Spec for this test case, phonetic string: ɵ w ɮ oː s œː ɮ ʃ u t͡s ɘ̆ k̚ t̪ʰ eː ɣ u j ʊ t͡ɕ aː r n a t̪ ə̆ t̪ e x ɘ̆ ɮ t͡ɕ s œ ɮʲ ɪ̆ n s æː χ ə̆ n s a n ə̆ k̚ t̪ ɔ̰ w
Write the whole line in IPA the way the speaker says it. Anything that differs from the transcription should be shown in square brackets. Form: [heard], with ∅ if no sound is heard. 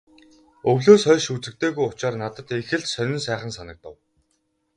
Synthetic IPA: ɵ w ɮ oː s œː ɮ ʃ u t͡s ɘ̆ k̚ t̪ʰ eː ɣ u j ʊ t͡ɕ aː r n a t̪ ə̆ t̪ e x ɘ̆ ɮ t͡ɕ s œ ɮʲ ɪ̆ n s æː χ ə̆ n s a n ə̆ k̚ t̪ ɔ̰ w